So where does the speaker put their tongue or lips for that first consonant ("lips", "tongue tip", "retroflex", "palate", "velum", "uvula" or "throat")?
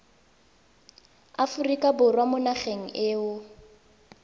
lips